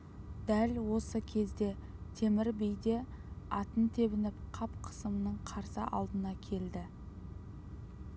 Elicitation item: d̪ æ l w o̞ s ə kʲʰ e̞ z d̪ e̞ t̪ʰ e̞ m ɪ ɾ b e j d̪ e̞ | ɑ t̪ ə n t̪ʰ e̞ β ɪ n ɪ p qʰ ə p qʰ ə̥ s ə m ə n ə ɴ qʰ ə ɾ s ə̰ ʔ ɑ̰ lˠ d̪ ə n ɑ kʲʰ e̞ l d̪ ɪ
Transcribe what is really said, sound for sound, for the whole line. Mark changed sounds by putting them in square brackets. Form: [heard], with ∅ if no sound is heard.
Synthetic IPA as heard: d̪ æ l w o̞ s ə kʲʰ e̞ z d̪ e̞ t̪ʰ e̞ m ɪ ɾ b e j d̪ e̞ | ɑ t̪ ə n t̪ʰ e̞ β ɪ n ɪ p qʰ [ɑ] p qʰ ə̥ s ə m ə n ə ɴ qʰ [ɑ] ɾ s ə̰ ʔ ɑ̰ lˠ d̪ ə n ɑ kʲʰ e̞ l d̪ ɪ